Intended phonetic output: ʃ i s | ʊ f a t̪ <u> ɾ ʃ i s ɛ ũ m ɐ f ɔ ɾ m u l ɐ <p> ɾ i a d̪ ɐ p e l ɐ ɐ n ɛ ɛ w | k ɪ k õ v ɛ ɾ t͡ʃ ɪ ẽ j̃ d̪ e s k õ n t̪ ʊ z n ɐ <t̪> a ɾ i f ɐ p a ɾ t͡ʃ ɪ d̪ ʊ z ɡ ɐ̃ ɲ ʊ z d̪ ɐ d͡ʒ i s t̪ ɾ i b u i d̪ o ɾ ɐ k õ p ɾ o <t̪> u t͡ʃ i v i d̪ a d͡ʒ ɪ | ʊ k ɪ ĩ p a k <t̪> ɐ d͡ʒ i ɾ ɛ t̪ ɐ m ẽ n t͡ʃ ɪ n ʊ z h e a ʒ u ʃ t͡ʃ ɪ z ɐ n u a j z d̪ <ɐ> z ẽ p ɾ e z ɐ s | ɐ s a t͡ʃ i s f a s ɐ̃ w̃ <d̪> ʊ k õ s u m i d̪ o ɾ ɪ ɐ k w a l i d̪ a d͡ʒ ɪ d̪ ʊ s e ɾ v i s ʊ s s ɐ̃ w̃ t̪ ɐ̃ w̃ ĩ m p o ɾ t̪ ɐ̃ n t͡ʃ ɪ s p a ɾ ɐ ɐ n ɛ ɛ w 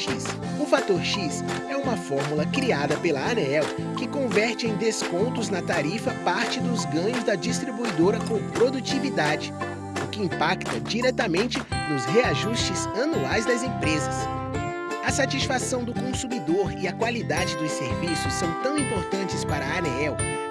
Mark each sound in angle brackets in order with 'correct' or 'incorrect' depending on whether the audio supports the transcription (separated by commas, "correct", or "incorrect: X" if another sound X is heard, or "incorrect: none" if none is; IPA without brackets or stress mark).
incorrect: o, incorrect: k, correct, incorrect: d̪, correct, correct, correct